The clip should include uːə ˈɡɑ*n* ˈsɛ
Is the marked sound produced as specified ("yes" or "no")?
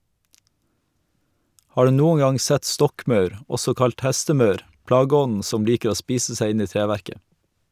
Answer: no